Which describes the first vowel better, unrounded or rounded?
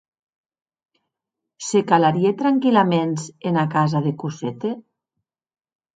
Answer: unrounded